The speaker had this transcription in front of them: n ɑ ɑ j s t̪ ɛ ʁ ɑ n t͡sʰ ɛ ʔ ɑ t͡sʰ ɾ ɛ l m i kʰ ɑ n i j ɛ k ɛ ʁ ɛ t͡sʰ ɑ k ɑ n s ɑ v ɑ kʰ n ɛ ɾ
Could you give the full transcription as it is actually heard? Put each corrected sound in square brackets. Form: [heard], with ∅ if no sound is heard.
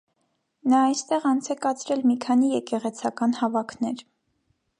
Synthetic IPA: n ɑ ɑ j s t̪ ɛ ʁ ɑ n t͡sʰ ɛ [k] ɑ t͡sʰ ɾ ɛ l m i kʰ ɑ n i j ɛ k ɛ ʁ ɛ t͡sʰ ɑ k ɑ n [h] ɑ v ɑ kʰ n ɛ ɾ